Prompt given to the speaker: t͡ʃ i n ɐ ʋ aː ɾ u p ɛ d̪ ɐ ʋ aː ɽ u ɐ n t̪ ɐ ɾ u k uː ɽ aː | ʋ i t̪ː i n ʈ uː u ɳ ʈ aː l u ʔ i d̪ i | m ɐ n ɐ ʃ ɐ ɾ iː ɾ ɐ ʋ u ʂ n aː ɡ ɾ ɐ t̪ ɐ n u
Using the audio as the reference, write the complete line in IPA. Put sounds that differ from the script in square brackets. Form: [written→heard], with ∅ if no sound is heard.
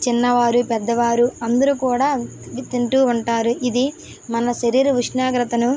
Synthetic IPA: t͡ʃ i [n→nː] ɐ ʋ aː ɾ u p ɛ [d̪→d̪ː] ɐ ʋ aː [ɽ→ɾ] u ɐ n [t̪→d̪] ɐ ɾ u k uː ɽ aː | ʋ i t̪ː i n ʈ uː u ɳ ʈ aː [l→ɾ] u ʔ i d̪ i | m ɐ n ɐ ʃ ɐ ɾ iː ɾ ɐ ʋ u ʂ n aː ɡ ɾ ɐ t̪ ɐ n u